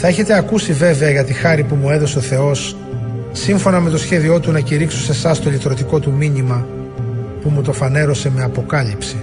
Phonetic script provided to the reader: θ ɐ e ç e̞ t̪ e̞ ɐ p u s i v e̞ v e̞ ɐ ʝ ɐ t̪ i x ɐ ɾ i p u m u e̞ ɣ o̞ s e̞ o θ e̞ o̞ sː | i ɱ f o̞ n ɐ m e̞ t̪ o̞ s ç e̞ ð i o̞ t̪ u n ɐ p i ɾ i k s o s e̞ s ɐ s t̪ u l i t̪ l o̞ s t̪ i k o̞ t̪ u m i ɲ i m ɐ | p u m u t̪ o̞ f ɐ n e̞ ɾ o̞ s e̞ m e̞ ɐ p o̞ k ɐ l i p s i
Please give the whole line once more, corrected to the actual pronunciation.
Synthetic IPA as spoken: θ ɐ e ç e̞ t̪ e̞ ɐ k u s i v e̞ v e̞ ɐ ʝ ɐ t̪ i x ɐ ɾ i p u m u e̞ ð o̞ s e̞ o θ e̞ o̞ sː | i ɱ f o̞ n ɐ m e̞ t̪ o̞ s ç e̞ ð i o̞ t̪ u n ɐ c i ɾ i k s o s e̞ s ɐ s t̪ o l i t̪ ɾ o̞ t̪ i k o̞ t̪ u m i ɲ i m ɐ | p u m u t̪ o̞ f ɐ n e̞ ɾ o̞ s e̞ m e̞ ɐ p o̞ k ɐ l i p s i